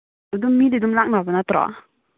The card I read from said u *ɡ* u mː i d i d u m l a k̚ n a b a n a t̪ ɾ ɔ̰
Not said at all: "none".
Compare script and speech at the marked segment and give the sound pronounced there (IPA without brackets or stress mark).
d